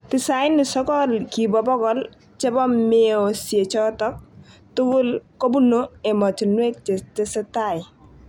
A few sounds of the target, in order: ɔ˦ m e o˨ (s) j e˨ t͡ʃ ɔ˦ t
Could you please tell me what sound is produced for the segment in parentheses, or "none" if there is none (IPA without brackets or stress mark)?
s